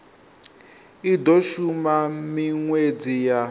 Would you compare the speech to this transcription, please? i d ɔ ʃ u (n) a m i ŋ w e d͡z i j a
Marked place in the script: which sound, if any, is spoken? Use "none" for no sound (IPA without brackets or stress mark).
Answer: m